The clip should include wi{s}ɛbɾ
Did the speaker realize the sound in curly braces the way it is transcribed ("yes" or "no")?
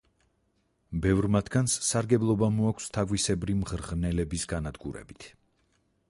yes